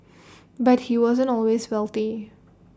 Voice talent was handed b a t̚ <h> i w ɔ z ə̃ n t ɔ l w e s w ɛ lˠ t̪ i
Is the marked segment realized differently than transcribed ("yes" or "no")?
no